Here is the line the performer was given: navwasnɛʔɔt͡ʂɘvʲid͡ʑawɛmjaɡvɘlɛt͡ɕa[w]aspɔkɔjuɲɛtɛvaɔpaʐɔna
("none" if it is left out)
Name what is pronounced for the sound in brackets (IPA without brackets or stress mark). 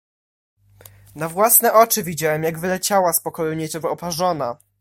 w